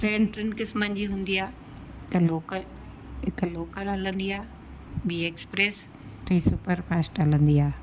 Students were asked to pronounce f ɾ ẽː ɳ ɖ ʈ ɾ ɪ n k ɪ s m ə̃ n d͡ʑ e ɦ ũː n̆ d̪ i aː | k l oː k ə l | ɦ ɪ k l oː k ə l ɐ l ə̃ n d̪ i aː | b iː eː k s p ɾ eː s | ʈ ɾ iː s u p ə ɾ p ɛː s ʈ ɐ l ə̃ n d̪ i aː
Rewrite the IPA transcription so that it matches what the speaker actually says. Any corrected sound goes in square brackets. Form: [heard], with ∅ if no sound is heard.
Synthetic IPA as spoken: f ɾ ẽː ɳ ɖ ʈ ɾ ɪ n k ɪ s m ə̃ n d͡ʑ [i] ɦ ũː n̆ d̪ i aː | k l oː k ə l | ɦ ɪ k l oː k ə l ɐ l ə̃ n d̪ i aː | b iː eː k s p ɾ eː s | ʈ ɾ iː s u p ə ɾ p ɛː s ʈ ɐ l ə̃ n d̪ i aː